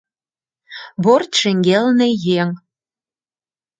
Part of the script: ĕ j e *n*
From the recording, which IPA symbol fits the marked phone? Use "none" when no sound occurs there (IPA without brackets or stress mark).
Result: ŋ